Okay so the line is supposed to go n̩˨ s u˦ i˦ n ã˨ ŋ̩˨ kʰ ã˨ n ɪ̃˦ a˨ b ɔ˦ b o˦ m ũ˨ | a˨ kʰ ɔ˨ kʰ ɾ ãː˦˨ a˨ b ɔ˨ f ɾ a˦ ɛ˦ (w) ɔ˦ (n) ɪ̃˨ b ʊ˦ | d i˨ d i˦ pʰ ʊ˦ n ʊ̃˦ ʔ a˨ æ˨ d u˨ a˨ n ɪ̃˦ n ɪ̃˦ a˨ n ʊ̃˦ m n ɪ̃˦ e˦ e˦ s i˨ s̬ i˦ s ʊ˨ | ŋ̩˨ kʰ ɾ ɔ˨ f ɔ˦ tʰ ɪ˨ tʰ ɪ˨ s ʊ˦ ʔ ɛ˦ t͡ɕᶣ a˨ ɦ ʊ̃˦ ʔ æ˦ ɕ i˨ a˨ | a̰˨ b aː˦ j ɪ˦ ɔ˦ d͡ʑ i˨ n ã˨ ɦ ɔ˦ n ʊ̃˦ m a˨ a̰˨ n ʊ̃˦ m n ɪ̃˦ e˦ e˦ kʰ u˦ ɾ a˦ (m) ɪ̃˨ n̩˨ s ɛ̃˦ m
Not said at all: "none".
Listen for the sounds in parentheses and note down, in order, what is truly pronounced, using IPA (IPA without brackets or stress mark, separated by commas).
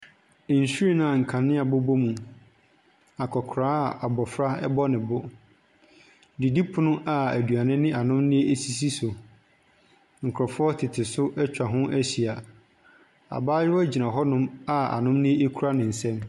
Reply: b, n, n